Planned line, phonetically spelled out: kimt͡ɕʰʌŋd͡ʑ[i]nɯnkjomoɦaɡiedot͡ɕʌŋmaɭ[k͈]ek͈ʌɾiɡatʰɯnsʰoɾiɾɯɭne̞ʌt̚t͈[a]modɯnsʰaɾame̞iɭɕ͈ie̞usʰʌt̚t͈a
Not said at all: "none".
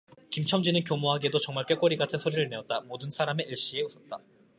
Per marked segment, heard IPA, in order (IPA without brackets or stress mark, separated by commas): i, k͈, a